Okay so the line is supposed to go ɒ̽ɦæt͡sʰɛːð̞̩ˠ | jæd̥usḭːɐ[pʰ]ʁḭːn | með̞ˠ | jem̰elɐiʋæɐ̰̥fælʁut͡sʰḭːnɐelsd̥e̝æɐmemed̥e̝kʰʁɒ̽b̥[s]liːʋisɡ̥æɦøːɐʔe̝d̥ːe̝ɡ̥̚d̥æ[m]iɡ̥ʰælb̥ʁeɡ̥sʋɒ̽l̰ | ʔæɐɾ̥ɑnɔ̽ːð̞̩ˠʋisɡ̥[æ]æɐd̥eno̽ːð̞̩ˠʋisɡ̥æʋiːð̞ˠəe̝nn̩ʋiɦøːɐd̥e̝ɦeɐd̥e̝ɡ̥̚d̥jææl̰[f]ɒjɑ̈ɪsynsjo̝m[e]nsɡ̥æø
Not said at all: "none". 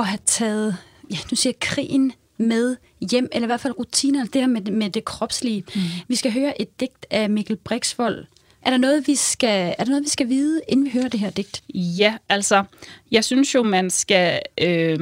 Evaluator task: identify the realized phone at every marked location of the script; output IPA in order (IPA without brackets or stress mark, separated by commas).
kʰ, s, m, æ, s, æ